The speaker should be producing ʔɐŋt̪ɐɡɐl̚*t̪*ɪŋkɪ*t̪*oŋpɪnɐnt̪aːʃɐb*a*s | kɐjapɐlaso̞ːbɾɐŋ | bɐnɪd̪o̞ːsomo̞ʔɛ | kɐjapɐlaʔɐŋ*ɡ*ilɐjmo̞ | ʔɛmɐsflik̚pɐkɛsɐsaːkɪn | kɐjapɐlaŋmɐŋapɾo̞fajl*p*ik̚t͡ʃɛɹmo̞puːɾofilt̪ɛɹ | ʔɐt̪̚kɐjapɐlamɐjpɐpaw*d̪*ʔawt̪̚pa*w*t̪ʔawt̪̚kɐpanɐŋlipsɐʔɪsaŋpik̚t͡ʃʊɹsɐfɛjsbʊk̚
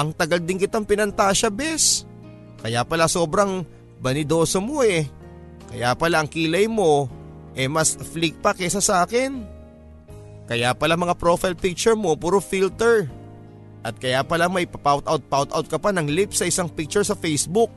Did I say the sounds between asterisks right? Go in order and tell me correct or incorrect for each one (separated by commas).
incorrect, correct, incorrect, incorrect, correct, incorrect, correct